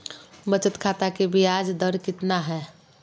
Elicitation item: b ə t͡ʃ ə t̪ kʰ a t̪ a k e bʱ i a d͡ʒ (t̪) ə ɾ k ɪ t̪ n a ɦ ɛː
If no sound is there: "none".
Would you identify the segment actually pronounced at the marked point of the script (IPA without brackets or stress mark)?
d̪